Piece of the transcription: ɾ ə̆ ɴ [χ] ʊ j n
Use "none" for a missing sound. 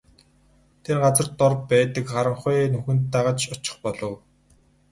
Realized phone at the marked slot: χ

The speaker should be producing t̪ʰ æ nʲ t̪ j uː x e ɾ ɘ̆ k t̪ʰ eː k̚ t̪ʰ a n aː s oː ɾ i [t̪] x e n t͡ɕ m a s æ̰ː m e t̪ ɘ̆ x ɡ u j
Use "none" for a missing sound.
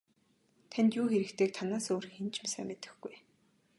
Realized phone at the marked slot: none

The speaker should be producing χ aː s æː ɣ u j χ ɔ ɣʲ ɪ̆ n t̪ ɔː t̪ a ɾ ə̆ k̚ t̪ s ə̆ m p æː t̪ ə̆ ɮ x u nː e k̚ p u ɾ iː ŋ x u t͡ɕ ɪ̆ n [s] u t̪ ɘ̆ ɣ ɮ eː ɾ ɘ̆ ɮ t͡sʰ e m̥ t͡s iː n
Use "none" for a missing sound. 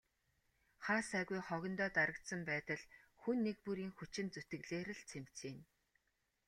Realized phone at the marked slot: t͡s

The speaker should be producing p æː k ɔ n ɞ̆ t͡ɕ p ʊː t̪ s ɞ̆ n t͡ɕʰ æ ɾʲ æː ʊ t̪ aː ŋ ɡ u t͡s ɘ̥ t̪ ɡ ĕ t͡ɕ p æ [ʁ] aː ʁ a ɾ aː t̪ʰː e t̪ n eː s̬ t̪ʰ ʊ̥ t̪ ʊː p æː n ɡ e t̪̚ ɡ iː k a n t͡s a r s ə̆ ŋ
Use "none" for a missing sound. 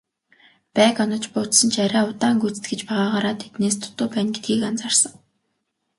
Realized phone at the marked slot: ʁ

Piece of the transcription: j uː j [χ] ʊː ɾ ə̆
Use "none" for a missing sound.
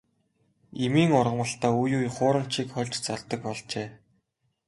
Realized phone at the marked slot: χ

